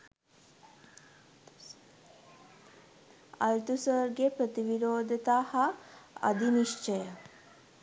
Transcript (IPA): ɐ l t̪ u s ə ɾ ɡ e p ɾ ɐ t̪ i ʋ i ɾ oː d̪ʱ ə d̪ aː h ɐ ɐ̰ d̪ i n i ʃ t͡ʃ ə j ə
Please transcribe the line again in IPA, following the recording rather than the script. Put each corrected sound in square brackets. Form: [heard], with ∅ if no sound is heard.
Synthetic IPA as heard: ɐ l t̪ u s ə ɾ ɡ e p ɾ [ə] t̪ i ʋ i ɾ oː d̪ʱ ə [t̪] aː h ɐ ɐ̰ d̪ i n i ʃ t͡ʃ ə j ə

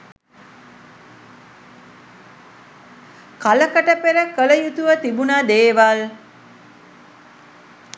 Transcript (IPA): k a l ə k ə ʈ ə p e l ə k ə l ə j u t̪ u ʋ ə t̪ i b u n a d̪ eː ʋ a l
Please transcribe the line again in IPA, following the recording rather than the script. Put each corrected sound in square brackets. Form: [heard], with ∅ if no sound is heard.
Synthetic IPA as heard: k a l ə k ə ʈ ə p e [ɾ] ə k ə l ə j u t̪ u ʋ ə t̪ i b u n a d̪ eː ʋ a l

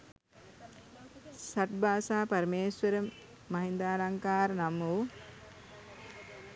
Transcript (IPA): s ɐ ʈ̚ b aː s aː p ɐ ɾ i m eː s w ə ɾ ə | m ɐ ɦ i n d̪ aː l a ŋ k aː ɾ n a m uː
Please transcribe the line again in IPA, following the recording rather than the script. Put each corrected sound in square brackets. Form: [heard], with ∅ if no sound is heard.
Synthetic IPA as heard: s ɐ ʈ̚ b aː s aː p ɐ ɾ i m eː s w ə ɾ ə | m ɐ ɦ i n d̪ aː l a ŋ k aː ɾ n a m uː

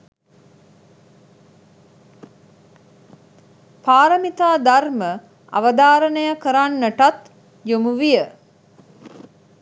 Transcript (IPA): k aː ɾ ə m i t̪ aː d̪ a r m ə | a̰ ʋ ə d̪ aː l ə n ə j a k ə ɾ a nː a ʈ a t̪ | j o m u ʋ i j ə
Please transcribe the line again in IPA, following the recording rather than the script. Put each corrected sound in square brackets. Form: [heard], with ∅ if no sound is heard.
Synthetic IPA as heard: [p] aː ɾ ə m i t̪ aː d̪ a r m ə | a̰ ʋ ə d̪ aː [ɾ] ə n ə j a k ə ɾ a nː [ə] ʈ a t̪ | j o m u ʋ i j ə

